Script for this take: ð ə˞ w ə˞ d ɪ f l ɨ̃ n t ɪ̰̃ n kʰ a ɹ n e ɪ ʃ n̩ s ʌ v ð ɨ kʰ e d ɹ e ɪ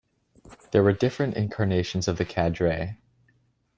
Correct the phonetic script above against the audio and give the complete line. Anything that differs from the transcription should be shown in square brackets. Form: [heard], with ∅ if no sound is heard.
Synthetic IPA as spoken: ð ə˞ w ə˞ d ɪ f [ɹ] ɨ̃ n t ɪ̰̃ n kʰ [ɑ] ɹ n e ɪ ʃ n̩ [z] ʌ v ð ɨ kʰ [æ] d ɹ e ɪ